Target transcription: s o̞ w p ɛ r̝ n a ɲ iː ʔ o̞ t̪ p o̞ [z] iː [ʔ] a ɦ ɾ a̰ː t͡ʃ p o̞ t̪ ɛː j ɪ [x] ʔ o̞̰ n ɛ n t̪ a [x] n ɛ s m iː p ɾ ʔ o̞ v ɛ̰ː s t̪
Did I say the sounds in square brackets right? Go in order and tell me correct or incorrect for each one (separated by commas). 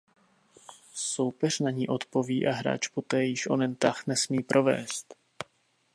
incorrect, correct, incorrect, correct